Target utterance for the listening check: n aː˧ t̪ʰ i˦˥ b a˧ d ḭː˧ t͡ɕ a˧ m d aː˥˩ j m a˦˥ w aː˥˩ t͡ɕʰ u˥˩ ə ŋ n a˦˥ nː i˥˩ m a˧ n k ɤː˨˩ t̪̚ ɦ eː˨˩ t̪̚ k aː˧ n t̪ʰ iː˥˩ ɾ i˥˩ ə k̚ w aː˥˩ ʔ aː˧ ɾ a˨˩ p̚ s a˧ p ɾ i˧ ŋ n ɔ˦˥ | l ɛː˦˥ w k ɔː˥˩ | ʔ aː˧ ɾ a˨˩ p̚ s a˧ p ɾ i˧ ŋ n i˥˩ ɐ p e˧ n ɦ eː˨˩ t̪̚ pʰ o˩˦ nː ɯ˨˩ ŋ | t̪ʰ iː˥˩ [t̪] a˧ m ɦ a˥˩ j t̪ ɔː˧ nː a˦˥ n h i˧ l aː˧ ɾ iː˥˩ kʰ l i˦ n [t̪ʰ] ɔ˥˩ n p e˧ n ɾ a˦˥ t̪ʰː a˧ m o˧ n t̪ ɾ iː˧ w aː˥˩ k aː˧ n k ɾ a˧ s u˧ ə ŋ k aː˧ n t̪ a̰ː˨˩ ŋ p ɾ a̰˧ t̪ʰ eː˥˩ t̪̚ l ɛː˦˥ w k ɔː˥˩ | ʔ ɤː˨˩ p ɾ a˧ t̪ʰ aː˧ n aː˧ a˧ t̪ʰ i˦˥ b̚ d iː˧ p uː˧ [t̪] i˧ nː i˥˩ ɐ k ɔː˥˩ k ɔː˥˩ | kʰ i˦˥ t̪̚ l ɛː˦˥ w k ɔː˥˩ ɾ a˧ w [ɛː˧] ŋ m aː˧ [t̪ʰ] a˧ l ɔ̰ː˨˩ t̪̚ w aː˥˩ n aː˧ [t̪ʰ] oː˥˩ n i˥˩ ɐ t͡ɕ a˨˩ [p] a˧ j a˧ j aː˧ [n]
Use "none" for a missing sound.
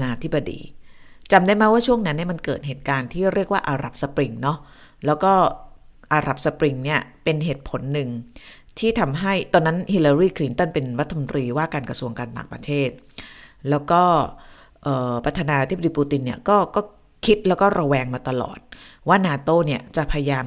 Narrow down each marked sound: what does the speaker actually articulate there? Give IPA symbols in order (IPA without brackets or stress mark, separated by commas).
t̪ʰ, t̪, t̪, ɛː˧, t̪, t̪, pʰ, m